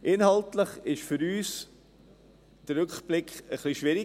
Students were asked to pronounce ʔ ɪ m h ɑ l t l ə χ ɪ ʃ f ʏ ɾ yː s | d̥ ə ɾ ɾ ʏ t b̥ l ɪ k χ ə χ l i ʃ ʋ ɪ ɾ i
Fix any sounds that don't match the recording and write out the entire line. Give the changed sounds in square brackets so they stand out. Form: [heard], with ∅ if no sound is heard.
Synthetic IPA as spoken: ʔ ɪ [n] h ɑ l t l ə χ ɪ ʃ f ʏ ɾ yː s | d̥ ə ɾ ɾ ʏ [k] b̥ l ɪ k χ ə χ l i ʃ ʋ ɪ ɾ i